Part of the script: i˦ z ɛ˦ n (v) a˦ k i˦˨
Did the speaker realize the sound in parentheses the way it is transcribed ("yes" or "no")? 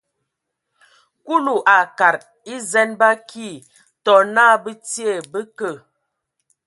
no